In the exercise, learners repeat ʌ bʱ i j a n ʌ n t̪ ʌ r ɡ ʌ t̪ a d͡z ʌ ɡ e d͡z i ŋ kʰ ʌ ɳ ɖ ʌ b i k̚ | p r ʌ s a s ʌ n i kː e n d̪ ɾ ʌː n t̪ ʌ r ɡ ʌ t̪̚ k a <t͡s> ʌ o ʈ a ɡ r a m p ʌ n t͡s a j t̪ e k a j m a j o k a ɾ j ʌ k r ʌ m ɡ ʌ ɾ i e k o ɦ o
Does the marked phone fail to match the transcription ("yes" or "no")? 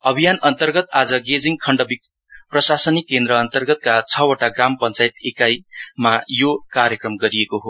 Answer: yes